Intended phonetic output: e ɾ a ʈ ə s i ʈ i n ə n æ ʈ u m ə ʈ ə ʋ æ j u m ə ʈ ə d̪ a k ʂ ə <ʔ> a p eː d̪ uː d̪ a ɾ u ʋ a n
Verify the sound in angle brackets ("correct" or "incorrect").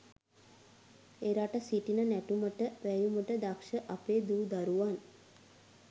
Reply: correct